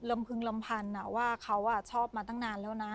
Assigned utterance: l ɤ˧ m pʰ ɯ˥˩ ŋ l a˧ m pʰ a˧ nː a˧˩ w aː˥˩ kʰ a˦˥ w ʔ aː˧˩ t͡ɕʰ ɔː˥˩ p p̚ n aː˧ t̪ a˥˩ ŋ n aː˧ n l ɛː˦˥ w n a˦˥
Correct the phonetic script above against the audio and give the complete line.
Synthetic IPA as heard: l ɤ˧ m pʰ ɯ˧ ŋ l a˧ m pʰ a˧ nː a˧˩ w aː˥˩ kʰ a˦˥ w ʔ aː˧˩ t͡ɕʰ ɔː˥˩ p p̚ m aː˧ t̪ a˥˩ ŋ n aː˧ n l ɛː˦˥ w n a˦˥